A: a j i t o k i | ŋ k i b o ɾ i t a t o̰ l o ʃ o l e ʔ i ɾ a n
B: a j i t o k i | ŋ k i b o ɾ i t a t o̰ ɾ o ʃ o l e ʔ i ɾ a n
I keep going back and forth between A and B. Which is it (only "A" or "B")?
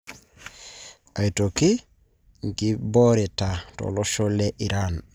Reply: A